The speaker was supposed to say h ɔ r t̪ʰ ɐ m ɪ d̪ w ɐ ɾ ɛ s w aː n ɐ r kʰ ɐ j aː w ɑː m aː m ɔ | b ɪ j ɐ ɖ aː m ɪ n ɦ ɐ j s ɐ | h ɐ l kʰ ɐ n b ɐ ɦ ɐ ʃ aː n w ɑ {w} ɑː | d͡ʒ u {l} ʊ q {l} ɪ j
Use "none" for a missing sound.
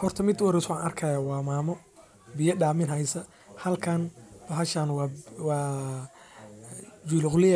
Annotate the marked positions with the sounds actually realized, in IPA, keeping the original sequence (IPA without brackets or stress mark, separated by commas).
w, l, l